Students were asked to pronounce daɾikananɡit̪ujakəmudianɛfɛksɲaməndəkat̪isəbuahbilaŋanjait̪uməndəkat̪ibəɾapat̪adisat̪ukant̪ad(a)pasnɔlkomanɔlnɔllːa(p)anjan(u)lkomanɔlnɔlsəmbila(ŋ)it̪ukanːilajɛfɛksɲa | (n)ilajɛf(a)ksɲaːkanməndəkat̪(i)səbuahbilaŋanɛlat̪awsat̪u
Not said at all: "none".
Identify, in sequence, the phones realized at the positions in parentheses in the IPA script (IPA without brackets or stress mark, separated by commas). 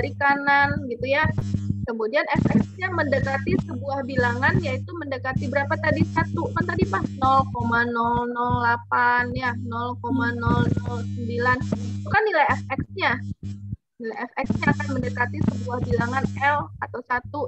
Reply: i, p, ɔ, n, n, ɛ, i